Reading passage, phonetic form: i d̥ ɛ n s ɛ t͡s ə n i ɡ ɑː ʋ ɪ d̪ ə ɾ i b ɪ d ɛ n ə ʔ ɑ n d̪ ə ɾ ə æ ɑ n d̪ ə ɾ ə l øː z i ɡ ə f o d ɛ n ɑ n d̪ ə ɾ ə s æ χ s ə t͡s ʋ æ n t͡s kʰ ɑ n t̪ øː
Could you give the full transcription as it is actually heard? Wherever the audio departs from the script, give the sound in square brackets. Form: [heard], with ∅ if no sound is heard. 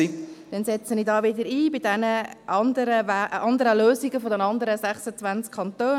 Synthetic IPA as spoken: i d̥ ɛ n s ɛ t͡s ə n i [d] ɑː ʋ ɪ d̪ ə ɾ [iː] b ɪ d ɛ n ə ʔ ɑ n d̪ ə ɾ ə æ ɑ n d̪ ə ɾ ə l øː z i ɡ ə f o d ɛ n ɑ n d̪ ə ɾ ə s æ χ s ə t͡s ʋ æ n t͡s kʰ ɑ n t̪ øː